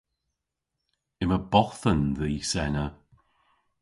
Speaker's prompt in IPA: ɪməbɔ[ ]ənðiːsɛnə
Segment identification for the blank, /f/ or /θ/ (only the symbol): θ